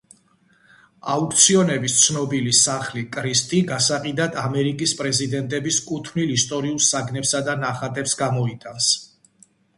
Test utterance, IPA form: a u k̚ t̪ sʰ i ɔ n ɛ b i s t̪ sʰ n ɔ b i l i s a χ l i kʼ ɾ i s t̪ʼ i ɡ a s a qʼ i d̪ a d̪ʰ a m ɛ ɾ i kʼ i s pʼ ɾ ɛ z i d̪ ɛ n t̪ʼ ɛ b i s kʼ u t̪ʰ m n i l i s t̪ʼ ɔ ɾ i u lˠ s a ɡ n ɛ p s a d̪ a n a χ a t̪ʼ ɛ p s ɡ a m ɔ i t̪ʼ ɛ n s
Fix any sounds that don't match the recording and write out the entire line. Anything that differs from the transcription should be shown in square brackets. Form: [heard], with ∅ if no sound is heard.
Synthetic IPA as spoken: a u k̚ t̪ sʰ i ɔ n ɛ b i s t̪ sʰ n ɔ b i l i s a χ l i kʼ ɾ i s t̪ʼ i ɡ a s a qʼ i d̪ a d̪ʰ a m ɛ ɾ i kʼ i s pʼ ɾ ɛ z i d̪ ɛ n t̪ʼ ɛ b i s kʼ u t̪ʰ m n i l i s t̪ʼ ɔ ɾ i u lˠ s a ɡ n ɛ p s a d̪ a n a χ a t̪ʼ ɛ p s ɡ a m ɔ i t̪ʼ [a] n s